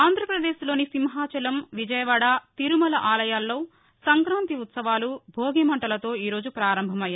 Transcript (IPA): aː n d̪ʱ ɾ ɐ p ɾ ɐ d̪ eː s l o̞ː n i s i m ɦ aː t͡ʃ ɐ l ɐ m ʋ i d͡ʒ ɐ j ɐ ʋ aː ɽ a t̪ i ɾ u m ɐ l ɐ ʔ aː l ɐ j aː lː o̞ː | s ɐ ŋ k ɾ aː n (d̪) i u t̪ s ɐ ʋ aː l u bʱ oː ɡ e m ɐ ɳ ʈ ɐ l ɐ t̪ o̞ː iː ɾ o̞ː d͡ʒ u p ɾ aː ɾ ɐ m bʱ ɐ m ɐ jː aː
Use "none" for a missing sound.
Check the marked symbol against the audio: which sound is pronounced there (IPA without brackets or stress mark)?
t̪